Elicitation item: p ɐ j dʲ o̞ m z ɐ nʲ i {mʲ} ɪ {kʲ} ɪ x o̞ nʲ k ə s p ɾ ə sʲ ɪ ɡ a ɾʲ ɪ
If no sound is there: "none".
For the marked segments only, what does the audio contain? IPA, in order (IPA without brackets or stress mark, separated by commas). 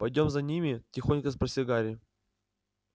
mʲ, tʲ